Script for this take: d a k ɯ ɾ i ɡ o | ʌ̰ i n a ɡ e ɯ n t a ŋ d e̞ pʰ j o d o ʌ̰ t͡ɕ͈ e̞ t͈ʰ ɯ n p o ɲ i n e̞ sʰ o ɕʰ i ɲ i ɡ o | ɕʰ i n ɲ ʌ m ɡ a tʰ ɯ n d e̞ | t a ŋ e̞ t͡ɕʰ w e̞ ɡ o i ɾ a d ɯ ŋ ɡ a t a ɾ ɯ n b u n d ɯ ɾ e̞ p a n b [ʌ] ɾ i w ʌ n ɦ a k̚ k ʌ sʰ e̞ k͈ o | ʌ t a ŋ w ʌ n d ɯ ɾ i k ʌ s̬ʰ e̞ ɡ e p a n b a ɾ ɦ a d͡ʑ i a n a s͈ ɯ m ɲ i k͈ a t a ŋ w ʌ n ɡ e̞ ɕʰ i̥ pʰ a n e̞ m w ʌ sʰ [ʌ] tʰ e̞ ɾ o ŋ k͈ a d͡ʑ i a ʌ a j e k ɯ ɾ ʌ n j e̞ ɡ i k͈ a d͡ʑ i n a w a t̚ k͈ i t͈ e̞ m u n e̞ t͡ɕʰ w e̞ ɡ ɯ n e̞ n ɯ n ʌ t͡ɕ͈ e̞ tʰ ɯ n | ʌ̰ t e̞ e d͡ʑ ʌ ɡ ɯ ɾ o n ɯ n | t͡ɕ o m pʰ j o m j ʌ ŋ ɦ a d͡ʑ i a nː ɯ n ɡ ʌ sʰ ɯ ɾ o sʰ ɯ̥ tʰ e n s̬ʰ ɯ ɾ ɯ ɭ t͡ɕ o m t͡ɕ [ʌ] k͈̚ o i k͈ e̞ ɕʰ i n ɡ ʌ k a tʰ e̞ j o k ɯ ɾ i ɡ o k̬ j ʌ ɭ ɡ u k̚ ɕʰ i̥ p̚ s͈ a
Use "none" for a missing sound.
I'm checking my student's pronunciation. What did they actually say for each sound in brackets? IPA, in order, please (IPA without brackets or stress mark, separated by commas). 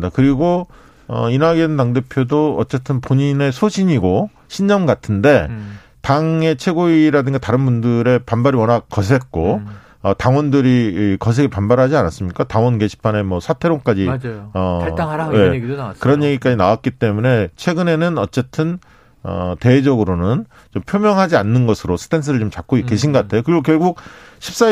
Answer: a, a, a